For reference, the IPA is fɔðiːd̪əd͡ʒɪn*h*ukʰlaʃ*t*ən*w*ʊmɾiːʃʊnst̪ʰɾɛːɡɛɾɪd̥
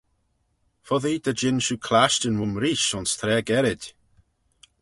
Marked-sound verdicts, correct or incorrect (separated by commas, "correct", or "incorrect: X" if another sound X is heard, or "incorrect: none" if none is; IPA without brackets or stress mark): incorrect: ʃ, correct, correct